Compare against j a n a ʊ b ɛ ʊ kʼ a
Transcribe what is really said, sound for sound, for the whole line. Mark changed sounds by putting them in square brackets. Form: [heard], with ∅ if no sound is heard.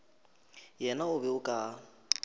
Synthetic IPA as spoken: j [ɛ] n a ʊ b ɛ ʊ kʼ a